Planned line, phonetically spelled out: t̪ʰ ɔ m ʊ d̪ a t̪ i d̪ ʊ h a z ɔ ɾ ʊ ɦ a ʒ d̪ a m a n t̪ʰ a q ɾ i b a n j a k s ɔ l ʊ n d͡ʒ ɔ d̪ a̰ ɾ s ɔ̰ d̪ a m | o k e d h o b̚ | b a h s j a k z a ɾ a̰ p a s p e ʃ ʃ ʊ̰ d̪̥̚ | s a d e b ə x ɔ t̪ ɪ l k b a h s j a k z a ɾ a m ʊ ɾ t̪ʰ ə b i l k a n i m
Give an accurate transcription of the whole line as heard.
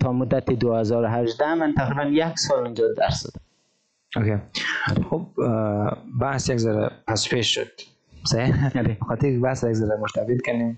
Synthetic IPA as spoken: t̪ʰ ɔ m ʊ d̪ a t̪ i d̪ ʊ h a z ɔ ɾ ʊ ɦ a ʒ d̪ a m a n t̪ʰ a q ɾ i b a n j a k s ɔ l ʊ n d͡ʒ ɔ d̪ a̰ ɾ s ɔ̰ d̪ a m | o k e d x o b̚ | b a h s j a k z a ɾ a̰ p a s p e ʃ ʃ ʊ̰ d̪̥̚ | s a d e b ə x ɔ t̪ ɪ ɾ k b a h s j a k z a ɾ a m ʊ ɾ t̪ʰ a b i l k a n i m